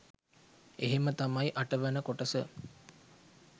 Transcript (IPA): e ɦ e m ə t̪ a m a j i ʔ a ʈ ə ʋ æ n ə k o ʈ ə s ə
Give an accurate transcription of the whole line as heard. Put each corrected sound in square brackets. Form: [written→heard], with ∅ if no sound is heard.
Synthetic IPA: e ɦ e m ə t̪ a m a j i ʔ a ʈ ə ʋ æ n ə k o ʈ ə s ə